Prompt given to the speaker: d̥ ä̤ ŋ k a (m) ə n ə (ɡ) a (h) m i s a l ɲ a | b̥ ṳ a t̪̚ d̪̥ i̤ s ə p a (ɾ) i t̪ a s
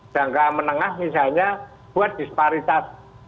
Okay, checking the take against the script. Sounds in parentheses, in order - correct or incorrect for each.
correct, incorrect, correct, correct

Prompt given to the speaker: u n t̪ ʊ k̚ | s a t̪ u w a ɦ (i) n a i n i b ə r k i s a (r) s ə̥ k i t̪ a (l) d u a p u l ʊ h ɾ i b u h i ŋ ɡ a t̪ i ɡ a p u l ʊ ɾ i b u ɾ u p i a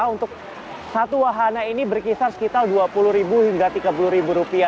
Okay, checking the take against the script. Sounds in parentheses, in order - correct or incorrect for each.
incorrect, correct, correct

